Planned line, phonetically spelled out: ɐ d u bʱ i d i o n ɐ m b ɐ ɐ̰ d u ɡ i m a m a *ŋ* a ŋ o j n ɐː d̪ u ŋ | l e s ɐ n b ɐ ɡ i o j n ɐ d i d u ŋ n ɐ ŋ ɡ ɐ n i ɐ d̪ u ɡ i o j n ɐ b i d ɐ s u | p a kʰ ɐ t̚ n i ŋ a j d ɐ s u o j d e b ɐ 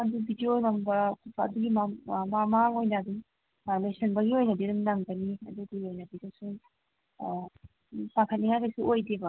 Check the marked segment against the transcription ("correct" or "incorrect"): incorrect